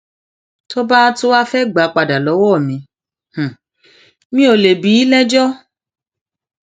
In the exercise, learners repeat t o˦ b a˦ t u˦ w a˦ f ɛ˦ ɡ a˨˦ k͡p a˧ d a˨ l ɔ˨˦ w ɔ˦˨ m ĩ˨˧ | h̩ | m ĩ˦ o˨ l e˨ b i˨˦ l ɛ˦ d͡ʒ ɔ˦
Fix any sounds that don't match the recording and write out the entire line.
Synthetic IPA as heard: t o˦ b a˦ t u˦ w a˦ f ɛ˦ ɡ͡b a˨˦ k͡p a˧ d a˨ l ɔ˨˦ w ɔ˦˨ m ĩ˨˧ | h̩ | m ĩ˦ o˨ l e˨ b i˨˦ l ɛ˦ d͡ʒ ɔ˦